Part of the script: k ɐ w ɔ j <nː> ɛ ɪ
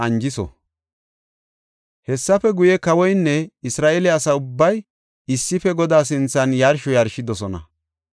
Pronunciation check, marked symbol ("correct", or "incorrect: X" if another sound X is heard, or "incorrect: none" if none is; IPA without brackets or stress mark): correct